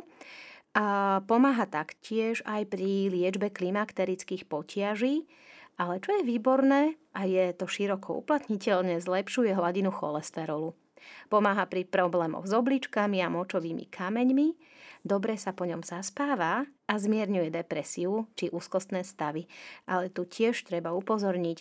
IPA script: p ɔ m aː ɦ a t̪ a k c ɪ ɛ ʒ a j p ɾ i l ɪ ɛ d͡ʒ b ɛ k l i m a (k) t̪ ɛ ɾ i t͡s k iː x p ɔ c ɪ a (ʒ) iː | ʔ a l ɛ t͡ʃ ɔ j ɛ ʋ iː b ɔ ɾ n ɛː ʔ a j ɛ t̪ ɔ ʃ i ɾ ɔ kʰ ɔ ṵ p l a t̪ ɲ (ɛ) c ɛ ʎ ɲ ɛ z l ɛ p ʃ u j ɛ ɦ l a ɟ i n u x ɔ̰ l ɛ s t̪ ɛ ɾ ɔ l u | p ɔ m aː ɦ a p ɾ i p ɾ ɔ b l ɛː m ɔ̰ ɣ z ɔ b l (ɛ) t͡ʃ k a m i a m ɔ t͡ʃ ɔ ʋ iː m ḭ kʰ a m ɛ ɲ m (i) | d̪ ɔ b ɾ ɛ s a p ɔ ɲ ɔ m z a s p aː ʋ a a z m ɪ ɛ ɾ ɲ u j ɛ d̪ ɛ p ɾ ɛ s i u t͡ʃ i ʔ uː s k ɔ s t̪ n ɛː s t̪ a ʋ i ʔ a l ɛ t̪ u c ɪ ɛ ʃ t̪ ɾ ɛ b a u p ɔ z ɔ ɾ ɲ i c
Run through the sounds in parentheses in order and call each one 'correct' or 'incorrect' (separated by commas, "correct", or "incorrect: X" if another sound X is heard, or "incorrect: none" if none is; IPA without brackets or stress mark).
correct, correct, incorrect: i, incorrect: i, correct